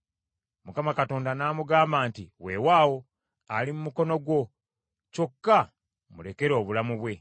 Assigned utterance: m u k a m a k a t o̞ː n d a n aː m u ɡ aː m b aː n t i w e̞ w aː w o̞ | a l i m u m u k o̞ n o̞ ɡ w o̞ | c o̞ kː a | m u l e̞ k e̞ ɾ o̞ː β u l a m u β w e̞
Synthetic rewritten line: m u k a m a k a t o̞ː n d a n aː m u ɡ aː m b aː n t i w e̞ w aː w o̞ | a l i m u m u k o̞ n o̞ ɡ w o̞ | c o̞ kː a | m u l e̞ k e̞ ɾ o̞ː β u l a m u β w e̞